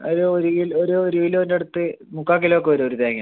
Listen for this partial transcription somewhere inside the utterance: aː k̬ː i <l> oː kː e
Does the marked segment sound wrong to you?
no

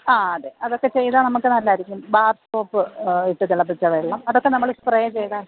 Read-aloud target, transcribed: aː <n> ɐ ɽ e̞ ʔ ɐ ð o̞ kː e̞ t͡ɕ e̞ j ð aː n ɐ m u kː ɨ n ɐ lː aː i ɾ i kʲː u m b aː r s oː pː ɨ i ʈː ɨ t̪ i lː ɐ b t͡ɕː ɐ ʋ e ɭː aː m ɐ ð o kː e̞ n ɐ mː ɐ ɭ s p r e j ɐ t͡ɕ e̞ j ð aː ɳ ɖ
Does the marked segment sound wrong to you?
yes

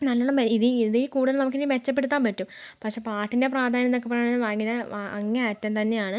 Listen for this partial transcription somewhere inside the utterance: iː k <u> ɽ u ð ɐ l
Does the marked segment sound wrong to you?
yes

